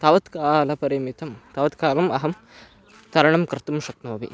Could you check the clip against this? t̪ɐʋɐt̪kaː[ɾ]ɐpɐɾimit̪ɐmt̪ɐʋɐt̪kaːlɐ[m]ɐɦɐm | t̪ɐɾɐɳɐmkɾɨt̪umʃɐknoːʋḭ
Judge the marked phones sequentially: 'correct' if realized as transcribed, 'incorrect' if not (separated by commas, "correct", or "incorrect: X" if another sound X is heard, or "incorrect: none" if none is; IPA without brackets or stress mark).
incorrect: l, correct